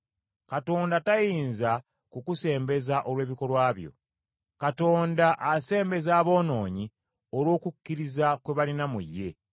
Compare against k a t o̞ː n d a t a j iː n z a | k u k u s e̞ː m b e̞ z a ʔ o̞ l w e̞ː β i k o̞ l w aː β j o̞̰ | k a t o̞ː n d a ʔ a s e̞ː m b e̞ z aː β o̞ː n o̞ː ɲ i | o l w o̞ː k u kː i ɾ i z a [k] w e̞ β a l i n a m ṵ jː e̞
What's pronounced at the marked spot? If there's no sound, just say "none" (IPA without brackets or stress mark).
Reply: k